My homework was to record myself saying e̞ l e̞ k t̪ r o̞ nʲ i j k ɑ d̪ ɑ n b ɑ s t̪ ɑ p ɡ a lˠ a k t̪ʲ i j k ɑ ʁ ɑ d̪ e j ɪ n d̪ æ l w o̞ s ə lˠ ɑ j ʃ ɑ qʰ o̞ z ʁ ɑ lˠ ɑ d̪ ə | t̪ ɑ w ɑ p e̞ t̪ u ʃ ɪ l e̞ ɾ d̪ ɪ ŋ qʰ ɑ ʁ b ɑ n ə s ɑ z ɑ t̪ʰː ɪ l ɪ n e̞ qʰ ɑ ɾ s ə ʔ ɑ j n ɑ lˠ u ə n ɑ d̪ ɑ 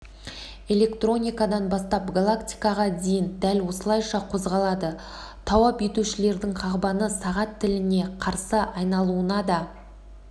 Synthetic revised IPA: e̞ l e̞ k t̪ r o̞ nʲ i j k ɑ d̪ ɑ n b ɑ s t̪ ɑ p ɡ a lˠ a k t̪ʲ i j k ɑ ʁ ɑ d̪ e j ɪ n d̪ æ l w o̞ s ə lˠ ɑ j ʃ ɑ qʰ o̞ z ʁ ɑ lˠ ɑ d̪ ə | t̪ʰ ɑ w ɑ p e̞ t̪ u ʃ ɪ l e̞ ɾ d̪ ɪ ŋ qʰ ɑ ʁ b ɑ n ə s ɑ ʁ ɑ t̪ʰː ɪ l ɪ n e̞ qʰ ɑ ɾ s ə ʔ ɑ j n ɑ lˠ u ə n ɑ d̪ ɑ